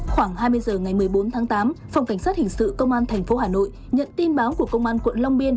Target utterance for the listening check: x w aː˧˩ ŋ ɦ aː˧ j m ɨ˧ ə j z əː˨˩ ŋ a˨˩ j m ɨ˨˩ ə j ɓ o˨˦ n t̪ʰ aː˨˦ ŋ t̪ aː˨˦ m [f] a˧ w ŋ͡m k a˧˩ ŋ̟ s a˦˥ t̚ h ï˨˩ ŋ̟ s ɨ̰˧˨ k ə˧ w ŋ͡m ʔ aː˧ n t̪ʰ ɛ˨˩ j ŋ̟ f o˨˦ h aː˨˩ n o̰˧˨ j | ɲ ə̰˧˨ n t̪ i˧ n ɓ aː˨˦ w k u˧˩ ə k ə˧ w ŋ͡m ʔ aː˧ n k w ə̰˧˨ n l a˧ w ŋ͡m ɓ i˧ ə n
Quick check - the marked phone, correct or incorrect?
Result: correct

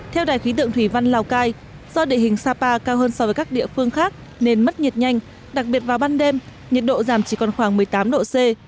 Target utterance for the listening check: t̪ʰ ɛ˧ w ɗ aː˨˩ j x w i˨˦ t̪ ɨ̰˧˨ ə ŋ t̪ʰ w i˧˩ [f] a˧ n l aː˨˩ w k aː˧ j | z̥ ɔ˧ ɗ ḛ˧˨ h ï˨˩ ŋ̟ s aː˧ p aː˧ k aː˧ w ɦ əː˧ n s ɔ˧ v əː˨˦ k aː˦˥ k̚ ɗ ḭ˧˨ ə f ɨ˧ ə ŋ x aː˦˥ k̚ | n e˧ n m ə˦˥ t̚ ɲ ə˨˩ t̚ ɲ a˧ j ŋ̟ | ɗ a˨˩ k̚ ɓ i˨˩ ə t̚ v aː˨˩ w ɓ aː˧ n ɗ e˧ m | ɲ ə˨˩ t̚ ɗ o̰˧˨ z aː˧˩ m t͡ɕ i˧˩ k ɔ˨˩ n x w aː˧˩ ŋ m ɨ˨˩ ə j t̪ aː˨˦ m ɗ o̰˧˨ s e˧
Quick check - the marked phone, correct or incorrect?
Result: incorrect: v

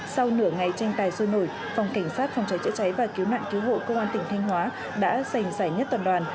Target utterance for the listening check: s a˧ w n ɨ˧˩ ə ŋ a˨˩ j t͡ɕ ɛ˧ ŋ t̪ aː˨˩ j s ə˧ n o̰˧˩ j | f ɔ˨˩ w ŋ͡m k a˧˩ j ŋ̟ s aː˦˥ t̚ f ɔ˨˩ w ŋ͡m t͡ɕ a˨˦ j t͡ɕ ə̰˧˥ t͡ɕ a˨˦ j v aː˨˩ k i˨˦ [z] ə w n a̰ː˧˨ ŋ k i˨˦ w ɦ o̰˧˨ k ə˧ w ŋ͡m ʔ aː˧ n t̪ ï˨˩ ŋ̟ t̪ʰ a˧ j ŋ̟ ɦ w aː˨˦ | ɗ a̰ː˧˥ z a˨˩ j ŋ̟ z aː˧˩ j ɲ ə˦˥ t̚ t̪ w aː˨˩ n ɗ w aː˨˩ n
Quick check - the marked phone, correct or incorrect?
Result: incorrect: none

